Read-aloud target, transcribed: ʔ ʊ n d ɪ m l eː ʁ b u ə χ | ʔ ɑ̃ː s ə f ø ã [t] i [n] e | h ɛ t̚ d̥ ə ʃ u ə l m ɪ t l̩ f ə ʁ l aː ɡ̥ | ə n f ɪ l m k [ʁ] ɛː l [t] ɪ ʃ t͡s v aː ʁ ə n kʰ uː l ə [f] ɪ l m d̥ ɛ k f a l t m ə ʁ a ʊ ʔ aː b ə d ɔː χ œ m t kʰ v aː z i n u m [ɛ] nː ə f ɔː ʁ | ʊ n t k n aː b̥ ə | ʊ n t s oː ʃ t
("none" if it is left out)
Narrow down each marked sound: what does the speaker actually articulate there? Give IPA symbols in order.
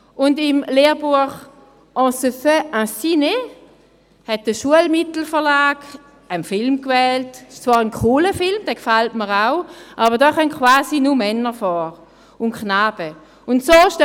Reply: s, n, v, t, f, ɛ

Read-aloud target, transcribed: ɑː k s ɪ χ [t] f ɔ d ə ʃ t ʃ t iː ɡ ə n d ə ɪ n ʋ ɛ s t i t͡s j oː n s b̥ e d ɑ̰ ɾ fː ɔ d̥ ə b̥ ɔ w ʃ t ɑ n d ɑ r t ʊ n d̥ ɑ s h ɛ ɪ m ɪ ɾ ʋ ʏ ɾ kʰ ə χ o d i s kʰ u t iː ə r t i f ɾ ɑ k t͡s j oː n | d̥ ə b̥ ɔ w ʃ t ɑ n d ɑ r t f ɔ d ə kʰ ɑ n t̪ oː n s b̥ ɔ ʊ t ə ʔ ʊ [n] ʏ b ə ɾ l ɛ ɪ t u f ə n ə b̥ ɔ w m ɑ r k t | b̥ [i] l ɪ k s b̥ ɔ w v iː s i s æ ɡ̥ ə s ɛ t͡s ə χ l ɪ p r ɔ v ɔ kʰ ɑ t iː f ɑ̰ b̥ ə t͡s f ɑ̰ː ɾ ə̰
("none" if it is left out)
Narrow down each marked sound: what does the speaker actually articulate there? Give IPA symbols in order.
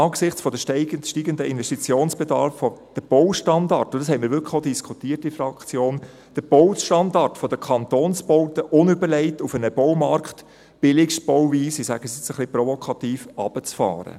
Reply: t͡s, n, ɪ

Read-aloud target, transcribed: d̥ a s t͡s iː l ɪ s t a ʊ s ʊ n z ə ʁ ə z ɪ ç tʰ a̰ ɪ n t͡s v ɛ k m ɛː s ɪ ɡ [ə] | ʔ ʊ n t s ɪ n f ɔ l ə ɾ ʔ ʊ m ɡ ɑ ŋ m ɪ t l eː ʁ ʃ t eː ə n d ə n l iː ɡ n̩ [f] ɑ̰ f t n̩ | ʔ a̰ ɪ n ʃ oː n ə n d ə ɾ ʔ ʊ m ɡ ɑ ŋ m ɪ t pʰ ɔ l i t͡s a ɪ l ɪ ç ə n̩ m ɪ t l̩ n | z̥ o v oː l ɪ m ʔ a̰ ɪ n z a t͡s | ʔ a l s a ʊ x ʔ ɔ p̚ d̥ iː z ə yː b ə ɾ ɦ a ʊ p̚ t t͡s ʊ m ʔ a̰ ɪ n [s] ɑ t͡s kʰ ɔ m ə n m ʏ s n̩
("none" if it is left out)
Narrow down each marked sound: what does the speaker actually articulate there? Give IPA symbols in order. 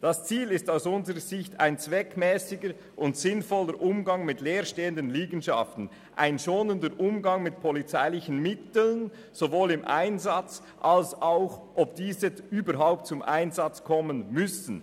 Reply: ə, ʃ, z

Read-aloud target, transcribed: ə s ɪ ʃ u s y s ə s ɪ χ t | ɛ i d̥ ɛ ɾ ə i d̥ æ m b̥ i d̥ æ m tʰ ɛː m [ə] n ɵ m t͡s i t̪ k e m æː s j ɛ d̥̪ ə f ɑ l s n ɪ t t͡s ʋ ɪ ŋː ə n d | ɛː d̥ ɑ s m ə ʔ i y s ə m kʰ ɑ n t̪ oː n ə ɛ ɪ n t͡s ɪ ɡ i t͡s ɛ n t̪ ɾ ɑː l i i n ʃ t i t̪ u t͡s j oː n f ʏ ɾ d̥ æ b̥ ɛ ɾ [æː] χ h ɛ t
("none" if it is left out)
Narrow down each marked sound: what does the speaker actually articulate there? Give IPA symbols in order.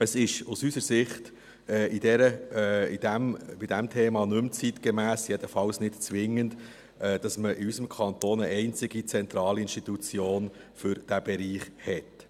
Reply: ɑ, iː

